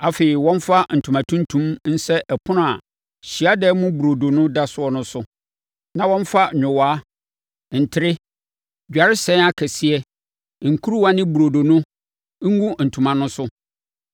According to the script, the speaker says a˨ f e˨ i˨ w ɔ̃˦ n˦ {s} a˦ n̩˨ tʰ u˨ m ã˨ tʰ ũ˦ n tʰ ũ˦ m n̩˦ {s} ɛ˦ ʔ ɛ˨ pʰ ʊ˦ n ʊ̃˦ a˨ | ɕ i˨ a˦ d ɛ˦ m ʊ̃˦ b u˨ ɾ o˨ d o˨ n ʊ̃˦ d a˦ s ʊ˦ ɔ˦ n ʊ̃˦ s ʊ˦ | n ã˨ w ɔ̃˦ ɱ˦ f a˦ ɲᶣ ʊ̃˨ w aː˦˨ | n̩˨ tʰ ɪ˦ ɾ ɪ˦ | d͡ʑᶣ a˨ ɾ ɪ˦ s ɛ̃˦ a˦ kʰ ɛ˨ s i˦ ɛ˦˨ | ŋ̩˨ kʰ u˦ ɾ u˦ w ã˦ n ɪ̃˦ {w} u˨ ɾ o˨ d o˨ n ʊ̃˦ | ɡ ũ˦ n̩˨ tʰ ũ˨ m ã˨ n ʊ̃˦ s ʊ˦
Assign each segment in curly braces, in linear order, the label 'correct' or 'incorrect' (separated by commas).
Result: incorrect, correct, incorrect